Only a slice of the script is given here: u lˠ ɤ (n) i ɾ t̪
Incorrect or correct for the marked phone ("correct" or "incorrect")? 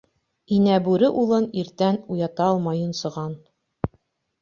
correct